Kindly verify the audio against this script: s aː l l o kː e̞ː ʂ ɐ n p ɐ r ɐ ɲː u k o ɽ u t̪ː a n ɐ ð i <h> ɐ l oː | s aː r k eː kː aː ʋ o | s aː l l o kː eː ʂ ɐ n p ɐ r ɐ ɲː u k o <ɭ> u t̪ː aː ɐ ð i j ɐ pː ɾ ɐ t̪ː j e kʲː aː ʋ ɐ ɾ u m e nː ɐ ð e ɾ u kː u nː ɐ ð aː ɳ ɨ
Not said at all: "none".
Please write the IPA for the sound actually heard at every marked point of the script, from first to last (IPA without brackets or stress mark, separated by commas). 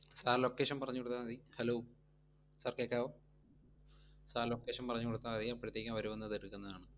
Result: h, ɽ